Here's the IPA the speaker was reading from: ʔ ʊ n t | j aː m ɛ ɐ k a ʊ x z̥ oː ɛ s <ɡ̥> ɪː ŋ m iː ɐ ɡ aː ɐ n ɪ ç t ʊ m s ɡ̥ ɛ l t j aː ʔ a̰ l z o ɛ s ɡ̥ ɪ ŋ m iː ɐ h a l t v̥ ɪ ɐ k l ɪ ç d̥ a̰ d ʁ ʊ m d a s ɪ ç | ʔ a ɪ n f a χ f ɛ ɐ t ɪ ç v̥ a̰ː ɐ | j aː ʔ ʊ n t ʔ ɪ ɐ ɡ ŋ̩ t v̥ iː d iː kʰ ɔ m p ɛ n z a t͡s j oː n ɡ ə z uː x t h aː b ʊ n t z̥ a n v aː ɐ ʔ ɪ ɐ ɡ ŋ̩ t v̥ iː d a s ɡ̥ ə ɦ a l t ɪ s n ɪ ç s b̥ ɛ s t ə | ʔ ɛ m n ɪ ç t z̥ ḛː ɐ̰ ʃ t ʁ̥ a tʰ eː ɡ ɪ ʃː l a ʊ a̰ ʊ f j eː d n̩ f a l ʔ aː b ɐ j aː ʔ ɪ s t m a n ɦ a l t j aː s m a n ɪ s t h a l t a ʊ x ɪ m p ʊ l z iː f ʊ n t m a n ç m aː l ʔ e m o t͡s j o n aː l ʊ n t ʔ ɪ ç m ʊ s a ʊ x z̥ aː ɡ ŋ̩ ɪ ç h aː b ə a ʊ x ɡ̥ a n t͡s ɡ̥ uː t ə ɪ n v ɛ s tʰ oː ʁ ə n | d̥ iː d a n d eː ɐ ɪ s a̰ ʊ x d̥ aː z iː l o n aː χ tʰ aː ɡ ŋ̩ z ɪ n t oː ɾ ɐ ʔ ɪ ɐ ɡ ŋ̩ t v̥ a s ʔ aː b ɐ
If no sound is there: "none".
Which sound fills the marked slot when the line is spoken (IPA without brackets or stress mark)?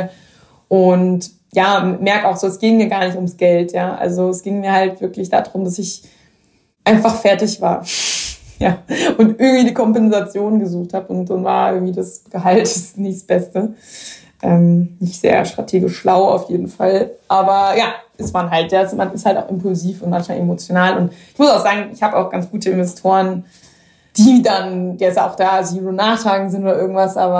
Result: ɡ̥